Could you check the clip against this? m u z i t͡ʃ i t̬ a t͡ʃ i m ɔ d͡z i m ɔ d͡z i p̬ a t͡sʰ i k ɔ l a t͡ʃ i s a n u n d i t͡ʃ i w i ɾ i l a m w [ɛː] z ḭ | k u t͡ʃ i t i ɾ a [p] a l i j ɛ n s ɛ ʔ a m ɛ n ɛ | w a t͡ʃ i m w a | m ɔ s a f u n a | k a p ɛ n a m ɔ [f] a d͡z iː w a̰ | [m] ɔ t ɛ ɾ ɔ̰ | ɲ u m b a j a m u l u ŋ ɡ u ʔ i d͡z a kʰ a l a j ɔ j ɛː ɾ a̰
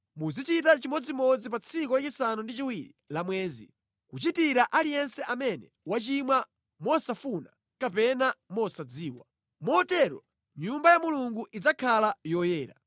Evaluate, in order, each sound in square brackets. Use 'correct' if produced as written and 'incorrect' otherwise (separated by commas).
correct, incorrect, incorrect, correct